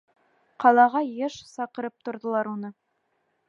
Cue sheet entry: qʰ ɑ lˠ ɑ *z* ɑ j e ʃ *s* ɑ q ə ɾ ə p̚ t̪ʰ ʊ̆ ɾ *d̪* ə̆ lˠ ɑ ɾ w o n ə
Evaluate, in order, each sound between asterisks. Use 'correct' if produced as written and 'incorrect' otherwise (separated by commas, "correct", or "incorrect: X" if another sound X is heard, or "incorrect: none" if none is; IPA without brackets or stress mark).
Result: incorrect: ʁ, correct, correct